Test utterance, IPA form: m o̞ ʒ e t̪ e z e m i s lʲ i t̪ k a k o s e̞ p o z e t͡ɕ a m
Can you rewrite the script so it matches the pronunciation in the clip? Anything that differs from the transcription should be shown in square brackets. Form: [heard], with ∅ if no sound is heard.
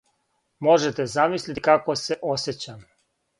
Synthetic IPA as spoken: m o̞ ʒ e t̪ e z [a] m i s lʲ i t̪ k a k o s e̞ [ʔ] o [s] e t͡ɕ a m